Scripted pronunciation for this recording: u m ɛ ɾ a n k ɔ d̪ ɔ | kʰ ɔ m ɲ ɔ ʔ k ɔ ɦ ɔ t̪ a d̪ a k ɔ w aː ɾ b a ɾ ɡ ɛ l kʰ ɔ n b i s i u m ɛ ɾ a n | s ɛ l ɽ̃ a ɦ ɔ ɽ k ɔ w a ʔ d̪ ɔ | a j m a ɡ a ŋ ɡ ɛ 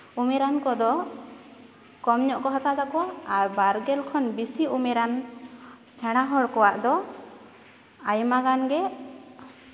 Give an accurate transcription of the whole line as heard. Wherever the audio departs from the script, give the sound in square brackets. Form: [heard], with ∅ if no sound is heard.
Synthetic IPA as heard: u m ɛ ɾ a n k ɔ d̪ ɔ | [k] ɔ m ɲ ɔ ʔ k ɔ ɦ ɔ t̪ a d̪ a k ɔ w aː ɾ b a ɾ ɡ ɛ l kʰ ɔ n b i s i u m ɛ ɾ a n | s ɛ [∅] ɽ̃ a ɦ ɔ ɽ k ɔ w a ʔ d̪ ɔ | a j m a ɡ a [n] ɡ ɛ